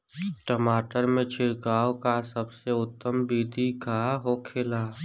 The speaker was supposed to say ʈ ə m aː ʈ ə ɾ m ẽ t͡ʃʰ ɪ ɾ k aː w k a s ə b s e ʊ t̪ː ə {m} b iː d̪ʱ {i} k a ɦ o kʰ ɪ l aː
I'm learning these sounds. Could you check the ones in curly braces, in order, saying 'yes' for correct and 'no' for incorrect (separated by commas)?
yes, yes